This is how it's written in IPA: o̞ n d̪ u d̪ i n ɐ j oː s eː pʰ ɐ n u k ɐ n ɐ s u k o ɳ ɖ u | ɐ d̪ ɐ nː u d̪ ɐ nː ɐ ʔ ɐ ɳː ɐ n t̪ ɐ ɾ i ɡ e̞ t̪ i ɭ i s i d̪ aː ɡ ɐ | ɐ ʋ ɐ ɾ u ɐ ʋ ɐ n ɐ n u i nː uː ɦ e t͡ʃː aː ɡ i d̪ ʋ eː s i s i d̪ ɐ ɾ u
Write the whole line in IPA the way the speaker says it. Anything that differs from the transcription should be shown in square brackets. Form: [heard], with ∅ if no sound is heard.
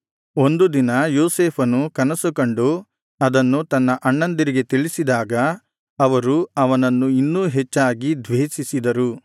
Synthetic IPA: o̞ n d̪ u d̪ i n ɐ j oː s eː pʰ ɐ n u k ɐ n ɐ s u k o ɳ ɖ u | ɐ d̪ ɐ nː u [t̪] ɐ nː ɐ ʔ ɐ ɳː ɐ n [d̪] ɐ ɾ i ɡ e̞ t̪ i ɭ i s i d̪ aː ɡ ɐ | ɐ ʋ ɐ ɾ u ɐ ʋ ɐ n ɐ [nː] u i nː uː ɦ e t͡ʃː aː ɡ i d̪ ʋ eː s i s i d̪ ɐ ɾ u